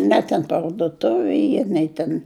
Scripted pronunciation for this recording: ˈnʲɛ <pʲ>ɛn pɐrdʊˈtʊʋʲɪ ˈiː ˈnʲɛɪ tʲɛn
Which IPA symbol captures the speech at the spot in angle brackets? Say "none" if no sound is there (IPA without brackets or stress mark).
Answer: tʲ